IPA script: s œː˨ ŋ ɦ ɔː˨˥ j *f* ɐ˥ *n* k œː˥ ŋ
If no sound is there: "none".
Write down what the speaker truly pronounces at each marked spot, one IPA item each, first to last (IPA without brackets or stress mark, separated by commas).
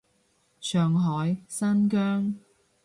s, n